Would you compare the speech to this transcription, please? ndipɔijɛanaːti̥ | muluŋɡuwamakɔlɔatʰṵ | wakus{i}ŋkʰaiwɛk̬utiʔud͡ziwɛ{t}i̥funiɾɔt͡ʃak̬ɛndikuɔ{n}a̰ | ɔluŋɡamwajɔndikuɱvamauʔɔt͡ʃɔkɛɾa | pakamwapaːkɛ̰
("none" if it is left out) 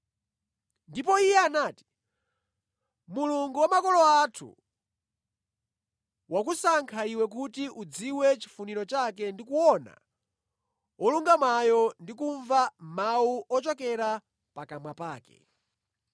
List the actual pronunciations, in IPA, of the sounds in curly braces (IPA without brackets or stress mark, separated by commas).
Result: a, t͡ʃ, n